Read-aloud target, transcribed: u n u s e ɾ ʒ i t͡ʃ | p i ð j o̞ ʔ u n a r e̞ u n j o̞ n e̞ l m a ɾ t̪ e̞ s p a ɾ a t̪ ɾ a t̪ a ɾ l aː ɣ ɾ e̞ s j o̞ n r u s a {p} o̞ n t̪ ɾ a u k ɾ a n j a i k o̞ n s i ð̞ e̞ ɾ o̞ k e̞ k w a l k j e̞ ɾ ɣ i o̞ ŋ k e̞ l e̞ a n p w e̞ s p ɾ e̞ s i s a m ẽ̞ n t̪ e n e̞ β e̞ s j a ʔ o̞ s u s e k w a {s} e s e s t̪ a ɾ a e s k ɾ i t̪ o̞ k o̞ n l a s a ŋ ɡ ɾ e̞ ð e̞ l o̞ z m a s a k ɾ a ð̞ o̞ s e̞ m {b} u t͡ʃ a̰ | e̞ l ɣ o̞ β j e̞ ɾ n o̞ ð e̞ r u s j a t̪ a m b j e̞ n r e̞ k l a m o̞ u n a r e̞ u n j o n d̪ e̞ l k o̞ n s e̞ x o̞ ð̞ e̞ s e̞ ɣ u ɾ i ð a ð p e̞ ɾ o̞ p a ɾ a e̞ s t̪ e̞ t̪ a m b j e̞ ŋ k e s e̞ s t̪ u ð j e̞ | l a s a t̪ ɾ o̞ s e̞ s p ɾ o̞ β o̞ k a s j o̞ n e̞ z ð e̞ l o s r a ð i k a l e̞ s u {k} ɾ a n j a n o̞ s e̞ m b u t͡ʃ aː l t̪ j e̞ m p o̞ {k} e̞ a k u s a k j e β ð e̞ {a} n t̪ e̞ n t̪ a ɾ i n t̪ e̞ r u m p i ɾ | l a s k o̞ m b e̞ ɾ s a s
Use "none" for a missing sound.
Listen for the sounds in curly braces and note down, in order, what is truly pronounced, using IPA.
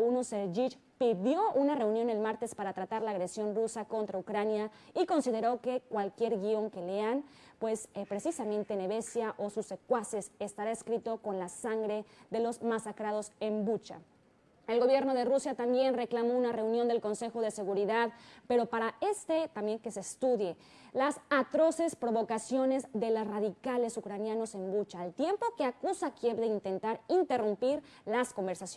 k, s, b, k, k, i

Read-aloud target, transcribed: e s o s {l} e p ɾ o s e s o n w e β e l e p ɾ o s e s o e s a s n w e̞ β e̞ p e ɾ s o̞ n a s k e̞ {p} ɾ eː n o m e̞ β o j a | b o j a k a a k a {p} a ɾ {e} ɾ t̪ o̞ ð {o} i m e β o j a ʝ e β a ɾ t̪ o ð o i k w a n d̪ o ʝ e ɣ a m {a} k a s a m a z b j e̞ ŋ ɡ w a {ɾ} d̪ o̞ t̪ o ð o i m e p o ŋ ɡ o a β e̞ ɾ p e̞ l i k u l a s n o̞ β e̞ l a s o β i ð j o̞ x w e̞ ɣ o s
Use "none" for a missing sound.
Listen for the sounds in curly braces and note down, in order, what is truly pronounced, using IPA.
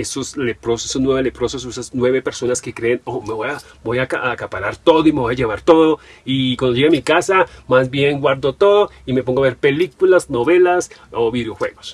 l, k, p, a, o, i, ɾ

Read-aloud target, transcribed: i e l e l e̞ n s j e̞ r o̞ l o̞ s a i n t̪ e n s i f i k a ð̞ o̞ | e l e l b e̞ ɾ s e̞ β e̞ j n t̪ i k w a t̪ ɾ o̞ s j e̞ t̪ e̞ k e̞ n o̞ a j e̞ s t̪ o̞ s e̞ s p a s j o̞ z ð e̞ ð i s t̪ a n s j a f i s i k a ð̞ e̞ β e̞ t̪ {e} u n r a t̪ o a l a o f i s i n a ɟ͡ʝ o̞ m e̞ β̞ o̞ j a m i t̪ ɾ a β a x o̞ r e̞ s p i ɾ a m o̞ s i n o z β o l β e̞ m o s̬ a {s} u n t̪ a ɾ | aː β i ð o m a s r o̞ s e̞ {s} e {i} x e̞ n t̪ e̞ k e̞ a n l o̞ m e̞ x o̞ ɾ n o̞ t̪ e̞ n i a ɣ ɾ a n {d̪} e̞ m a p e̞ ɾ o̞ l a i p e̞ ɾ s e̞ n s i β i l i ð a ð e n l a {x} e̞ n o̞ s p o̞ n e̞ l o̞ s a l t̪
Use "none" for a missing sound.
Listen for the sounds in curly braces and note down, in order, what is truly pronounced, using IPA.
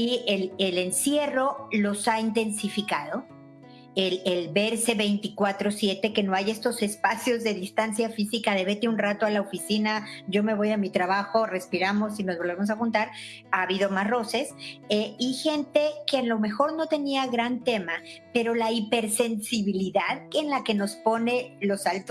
e, x, s, i, t̪, k

